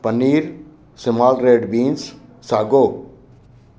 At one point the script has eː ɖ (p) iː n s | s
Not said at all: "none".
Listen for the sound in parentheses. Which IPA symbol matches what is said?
b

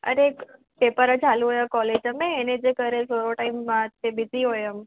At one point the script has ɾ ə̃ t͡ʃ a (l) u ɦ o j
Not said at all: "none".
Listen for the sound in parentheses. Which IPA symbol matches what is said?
l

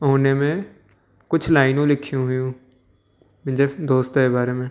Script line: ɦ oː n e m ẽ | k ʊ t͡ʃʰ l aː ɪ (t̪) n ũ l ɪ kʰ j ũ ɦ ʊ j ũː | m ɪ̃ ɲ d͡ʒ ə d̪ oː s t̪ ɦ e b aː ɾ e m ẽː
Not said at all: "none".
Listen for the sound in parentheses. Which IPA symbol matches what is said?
none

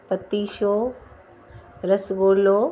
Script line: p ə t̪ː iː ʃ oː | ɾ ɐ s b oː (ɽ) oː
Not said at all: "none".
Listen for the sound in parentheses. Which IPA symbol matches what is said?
l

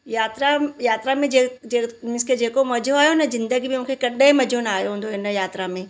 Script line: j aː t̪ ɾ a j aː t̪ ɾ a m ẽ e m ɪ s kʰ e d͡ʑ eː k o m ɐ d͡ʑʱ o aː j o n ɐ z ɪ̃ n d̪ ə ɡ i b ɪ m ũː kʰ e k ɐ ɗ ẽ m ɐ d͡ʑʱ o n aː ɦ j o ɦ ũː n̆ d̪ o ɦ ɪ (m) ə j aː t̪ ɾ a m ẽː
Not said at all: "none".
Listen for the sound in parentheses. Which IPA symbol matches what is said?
n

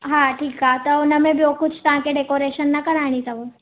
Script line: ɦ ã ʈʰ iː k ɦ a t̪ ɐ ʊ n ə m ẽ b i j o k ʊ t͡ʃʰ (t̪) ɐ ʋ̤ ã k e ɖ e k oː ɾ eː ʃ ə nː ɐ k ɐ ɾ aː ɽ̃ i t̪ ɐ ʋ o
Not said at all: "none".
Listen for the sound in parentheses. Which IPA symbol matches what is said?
t̪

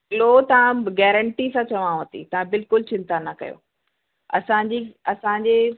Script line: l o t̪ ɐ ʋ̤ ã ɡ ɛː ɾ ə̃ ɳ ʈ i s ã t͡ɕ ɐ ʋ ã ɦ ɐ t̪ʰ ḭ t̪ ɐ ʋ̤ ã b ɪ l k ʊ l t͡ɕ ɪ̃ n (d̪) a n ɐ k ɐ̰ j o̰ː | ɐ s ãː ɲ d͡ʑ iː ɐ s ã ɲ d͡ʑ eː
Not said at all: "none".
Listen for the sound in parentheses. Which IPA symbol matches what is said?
t̪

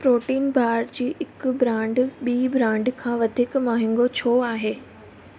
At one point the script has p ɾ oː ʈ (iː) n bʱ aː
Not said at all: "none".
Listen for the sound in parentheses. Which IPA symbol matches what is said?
iː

